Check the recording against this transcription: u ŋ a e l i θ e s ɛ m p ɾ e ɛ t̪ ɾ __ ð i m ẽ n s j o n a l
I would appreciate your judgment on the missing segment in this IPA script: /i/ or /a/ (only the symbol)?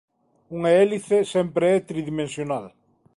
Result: i